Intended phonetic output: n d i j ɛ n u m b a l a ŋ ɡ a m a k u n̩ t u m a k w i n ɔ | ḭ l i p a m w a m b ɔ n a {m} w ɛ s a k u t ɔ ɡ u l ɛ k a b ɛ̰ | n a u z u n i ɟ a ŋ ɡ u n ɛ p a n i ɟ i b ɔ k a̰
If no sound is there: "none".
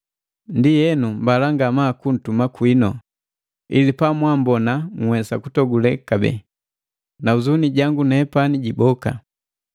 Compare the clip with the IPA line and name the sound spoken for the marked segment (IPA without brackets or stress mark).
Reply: ŋ